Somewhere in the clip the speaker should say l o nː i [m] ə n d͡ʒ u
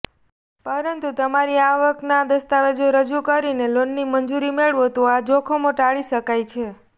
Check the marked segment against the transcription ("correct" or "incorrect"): correct